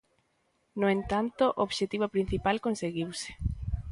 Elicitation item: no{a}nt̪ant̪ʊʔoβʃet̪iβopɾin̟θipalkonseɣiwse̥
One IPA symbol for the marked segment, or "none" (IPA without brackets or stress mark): e